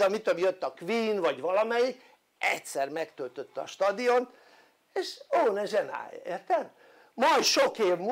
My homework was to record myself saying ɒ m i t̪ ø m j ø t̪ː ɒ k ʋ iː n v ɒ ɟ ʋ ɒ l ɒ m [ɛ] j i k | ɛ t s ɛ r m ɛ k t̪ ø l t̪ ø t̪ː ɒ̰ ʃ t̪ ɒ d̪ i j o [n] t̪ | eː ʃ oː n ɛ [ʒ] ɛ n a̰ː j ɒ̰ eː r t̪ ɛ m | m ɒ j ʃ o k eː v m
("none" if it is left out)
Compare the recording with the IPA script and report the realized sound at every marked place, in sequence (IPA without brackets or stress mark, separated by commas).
ɛ, n, ʒ